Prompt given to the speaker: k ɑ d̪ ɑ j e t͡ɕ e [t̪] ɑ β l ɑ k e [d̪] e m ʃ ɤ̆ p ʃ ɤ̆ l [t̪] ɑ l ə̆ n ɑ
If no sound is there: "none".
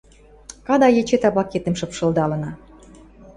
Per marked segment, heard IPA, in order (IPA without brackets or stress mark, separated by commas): t̪, t̪, d̪